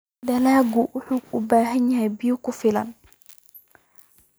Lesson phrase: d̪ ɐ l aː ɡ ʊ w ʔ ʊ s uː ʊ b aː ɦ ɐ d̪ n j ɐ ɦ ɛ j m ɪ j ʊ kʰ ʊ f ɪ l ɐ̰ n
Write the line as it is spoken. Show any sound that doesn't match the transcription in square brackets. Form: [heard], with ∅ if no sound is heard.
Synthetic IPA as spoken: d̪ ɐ l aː ɡ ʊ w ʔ ʊ [ħ] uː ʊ b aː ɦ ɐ [∅] n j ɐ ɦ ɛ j [b] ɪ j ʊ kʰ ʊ f ɪ l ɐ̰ n

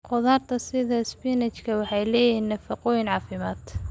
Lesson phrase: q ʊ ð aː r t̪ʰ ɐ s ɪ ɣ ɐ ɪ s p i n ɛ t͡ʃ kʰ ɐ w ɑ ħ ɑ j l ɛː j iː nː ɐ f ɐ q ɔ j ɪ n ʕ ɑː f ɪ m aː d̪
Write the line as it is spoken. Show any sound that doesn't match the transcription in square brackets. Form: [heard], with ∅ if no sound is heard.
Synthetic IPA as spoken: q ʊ ð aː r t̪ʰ ɐ s ɪ [ð] ɐ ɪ s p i n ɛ t͡ʃ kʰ ɐ w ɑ ħ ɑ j l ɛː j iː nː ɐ f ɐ q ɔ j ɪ n ʕ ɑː f ɪ m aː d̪

